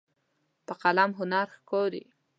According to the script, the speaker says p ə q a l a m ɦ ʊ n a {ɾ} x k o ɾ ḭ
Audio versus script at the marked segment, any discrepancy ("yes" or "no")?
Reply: no